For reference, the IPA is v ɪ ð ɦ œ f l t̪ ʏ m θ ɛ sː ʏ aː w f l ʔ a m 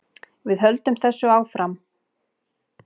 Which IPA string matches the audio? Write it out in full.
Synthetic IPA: v ɪ ð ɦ œ l t̪ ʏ m θ ɛ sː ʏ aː w f ɾ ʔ a m

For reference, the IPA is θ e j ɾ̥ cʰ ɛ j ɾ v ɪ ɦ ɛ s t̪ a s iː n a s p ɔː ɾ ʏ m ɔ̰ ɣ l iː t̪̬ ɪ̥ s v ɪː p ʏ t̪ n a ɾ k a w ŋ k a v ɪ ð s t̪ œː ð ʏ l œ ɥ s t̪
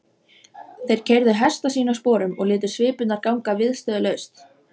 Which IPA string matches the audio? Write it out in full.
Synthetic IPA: θ e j ɾ̥ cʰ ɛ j ɾ ð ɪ ɦ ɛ s t̪ a s iː n a s p ɔː ɾ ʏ m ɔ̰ ɣ l ɪː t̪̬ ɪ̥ s v ɪː p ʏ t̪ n a ɾ k a w ŋ k a v ɪ ð s t̪ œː ð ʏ l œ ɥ s t̪

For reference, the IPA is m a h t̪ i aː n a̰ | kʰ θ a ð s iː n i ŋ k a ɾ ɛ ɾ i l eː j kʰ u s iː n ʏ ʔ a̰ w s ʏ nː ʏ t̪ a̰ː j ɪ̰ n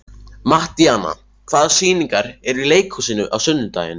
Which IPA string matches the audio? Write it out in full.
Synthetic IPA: m a h t̪ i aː n a̰ | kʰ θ a ð s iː n i ŋ k a ɾ ɛ ɾ i l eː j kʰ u s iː n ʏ ʔ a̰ w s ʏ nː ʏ t̪ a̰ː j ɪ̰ n

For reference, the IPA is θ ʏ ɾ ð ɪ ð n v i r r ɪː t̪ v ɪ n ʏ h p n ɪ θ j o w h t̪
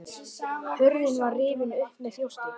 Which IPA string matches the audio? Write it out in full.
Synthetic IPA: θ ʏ ɾ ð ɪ n v a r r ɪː v ɪ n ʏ h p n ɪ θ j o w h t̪

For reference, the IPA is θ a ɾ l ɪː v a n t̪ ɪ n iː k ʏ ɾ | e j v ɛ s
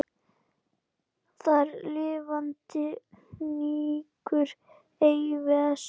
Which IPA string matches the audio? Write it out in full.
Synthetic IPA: θ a ɾ l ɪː v a n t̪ ɪ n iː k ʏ ɾ | e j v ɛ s

